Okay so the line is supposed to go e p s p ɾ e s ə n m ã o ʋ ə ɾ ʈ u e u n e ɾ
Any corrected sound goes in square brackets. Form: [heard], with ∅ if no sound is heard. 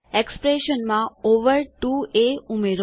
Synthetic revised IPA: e [k] s p ɾ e [ʃ] ə n m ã o ʋ ə ɾ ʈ u e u [m] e ɾ